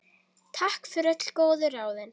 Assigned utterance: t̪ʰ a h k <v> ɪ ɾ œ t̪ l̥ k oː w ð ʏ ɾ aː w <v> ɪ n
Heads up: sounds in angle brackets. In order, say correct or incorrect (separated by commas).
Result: incorrect, incorrect